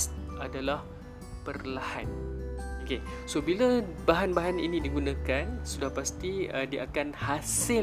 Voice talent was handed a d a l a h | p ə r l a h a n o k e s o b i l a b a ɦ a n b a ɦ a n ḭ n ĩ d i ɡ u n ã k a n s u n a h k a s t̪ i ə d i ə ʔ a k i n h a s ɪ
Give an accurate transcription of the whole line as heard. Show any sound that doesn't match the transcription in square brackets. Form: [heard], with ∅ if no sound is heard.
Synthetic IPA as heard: a d a l a h | p ə r l a h a n o k e s o b i l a b a ɦ a n b a ɦ a n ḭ n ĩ d i ɡ u n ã k a n s u [d] a h [p] a s t̪ i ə d i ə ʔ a k [a] n h a s ɪ